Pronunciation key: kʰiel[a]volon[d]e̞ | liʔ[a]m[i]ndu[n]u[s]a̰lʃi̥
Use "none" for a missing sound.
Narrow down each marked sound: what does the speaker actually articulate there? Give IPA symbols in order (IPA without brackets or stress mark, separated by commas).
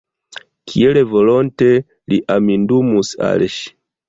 e, t, a, i, m, s